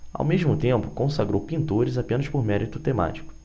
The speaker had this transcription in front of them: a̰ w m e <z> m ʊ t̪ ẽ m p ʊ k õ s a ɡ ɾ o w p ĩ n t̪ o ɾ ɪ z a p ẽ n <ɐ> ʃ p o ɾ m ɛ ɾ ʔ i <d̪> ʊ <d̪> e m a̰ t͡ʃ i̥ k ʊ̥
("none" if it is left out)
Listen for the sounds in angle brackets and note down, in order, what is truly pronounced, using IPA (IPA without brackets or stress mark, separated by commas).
ʒ, ɐ, t̪, t̪